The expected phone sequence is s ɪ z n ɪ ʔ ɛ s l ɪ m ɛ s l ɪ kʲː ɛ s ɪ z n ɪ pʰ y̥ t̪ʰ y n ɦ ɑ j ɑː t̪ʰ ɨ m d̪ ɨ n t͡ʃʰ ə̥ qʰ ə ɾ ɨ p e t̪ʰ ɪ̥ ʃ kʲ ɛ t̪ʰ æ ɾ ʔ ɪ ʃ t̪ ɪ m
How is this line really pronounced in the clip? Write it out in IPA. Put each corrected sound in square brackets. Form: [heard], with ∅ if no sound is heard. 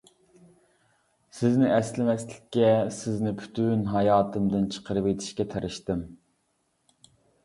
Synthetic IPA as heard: s ɪ z n ɪ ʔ ɛ s l ɪ m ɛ s l ɪ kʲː ɛ s ɪ z n ɪ pʰ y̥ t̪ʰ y n ɦ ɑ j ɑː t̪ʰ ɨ m d̪ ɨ n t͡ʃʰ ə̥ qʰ ə ɾ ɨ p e t̪ʰ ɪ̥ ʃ kʲ ɛ t̪ʰ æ ɾ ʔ ɪ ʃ t̪ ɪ m